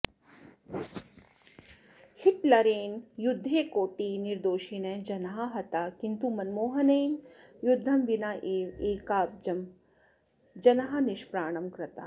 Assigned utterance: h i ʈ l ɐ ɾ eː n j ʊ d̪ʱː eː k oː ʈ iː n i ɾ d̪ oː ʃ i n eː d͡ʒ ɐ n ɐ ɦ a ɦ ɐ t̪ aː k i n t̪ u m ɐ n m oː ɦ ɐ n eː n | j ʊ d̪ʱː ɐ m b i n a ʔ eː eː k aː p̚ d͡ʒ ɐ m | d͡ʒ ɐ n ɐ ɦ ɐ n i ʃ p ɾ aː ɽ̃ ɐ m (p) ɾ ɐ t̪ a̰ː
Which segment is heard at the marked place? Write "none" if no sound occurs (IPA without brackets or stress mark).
k